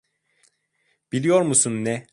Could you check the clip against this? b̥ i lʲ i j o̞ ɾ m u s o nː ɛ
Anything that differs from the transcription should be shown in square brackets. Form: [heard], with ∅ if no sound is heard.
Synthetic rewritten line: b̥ i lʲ i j o̞ ɾ m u s [u] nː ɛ